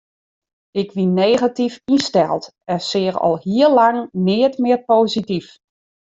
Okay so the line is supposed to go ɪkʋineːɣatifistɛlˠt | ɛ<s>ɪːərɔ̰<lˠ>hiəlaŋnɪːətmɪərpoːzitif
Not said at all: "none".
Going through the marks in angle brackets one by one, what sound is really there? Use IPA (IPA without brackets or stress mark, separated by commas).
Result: s, lˠ